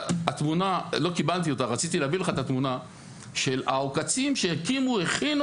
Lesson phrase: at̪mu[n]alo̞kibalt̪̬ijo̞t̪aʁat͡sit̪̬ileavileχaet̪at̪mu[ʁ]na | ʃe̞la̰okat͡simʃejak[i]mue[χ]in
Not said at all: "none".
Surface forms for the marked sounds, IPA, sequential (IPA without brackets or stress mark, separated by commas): n, none, i, χ